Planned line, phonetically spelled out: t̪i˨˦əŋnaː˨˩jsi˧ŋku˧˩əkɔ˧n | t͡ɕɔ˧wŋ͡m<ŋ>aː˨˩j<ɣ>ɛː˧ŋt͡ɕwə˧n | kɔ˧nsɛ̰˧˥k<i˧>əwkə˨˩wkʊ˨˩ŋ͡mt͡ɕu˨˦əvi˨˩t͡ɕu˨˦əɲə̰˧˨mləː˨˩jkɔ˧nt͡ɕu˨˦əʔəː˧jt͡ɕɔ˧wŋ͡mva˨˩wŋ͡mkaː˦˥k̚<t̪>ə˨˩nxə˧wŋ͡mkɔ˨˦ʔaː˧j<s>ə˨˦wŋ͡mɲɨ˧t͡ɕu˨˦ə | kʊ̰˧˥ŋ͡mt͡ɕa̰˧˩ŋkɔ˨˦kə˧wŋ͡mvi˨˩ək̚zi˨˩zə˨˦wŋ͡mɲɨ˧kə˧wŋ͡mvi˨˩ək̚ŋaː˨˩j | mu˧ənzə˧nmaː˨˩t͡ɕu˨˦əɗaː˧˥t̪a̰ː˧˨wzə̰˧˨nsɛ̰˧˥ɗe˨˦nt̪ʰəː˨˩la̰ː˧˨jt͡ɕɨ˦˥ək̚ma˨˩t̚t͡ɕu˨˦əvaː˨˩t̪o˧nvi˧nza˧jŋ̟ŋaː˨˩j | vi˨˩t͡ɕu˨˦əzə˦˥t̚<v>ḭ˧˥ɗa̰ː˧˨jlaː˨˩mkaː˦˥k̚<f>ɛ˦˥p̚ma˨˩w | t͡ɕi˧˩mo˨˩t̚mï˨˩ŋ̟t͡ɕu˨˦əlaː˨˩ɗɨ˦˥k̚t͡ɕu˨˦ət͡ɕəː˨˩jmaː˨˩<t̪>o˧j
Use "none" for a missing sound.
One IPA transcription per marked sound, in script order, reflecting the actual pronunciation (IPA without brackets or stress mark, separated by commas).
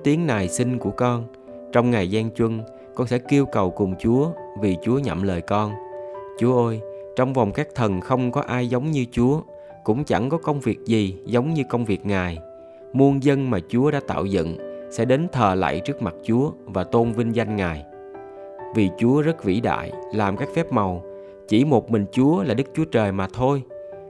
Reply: ŋ, z, i˧, t̪ʰ, z, v, f, t̪ʰ